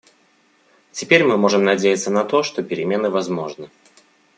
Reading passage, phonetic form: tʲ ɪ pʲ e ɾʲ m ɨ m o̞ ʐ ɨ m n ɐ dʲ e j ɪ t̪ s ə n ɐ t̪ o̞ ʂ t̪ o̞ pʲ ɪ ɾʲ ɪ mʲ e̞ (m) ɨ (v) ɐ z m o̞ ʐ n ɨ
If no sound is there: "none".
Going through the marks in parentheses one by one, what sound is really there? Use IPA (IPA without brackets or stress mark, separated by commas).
n, v